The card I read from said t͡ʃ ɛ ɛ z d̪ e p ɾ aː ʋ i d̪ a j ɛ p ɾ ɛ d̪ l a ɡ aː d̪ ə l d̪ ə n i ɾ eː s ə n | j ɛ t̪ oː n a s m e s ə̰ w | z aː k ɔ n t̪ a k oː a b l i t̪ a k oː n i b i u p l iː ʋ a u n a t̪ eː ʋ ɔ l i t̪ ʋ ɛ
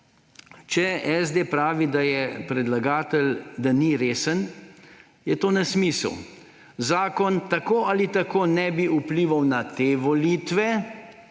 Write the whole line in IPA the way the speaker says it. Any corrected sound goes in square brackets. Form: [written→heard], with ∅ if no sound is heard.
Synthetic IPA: t͡ʃ ɛ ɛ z d̪ e p ɾ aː ʋ i d̪ a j ɛ p ɾ ɛ d̪ l a ɡ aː [d̪→t̪] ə l d̪ [ə→a] n i ɾ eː s ə n | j ɛ t̪ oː n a s m [e→i] s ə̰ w | z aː k ɔ n t̪ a k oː a [b→∅] l i t̪ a k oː n [i→ɛ] b i u p l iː ʋ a [u→w] n a t̪ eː ʋ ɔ l i t̪ ʋ ɛ